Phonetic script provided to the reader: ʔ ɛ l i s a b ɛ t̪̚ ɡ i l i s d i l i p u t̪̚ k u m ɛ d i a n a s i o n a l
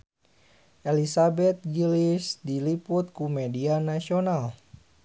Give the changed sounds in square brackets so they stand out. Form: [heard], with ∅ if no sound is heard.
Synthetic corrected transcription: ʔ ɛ l i s a b ɛ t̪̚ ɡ i l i s d i l i p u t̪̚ k u m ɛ d i a n a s i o n a l

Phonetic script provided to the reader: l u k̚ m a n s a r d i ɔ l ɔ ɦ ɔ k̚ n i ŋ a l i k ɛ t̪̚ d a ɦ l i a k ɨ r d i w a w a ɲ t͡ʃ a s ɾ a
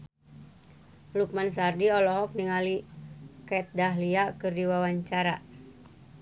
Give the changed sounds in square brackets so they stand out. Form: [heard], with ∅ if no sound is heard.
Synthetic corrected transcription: l u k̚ m a n s a r d i ɔ l ɔ ɦ ɔ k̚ n i ŋ a l i k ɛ t̪̚ d a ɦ l i a k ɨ r d i w a w a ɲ t͡ʃ a [∅] ɾ a

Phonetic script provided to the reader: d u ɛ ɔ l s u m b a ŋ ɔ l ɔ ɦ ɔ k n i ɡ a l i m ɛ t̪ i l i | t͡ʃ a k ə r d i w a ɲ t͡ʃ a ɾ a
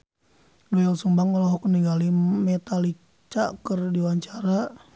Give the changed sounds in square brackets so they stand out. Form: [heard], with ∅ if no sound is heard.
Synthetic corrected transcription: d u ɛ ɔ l s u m b a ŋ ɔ l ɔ ɦ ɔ k n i ɡ a l i m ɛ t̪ [a] l i | t͡ʃ a k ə r d i w a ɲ t͡ʃ a ɾ a

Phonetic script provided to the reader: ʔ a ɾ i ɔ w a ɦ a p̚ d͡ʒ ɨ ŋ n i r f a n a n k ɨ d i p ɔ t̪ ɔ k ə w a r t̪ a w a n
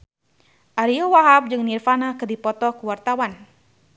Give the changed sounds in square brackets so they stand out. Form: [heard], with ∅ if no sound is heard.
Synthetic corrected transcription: ʔ a ɾ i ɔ w a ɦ a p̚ d͡ʒ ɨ ŋ n i r f a n a [∅] k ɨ d i p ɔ t̪ ɔ k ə w a r t̪ a w a n

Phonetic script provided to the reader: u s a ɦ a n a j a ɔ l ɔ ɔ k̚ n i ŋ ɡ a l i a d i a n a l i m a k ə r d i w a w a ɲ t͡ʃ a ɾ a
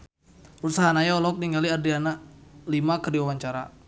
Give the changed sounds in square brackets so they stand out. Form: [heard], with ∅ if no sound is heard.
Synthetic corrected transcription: u s a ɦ a n a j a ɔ l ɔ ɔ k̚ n i ŋ ɡ a l i a d i a n a l i m a k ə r d i w a w a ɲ t͡ʃ a ɾ a

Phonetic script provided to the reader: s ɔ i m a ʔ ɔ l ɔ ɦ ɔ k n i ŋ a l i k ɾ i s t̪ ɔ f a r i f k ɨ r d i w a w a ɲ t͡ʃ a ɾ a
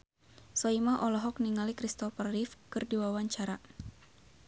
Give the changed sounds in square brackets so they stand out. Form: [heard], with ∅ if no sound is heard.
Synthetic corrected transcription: s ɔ i m a ʔ ɔ l ɔ ɦ ɔ k n i ŋ a l i k ɾ i s t̪ ɔ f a r i f k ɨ r d i w a w a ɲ t͡ʃ a ɾ a

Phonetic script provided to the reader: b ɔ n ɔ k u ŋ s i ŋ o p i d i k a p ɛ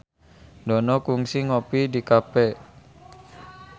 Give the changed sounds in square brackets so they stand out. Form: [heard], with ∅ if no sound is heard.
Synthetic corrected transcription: [d] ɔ n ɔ k u ŋ s i ŋ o p i d i k a p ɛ

